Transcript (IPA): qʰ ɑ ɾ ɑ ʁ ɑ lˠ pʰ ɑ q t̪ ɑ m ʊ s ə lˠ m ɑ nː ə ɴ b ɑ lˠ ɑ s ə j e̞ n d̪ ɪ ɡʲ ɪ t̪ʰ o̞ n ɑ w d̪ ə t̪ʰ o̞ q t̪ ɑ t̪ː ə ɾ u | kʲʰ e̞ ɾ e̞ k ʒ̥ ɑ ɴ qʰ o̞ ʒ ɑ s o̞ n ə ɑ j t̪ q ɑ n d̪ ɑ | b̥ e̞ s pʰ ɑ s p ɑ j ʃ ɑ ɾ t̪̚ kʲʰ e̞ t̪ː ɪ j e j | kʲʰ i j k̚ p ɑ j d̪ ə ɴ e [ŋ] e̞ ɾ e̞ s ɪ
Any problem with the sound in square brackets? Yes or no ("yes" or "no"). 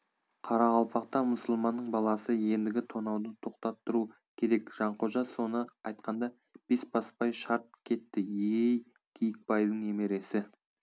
yes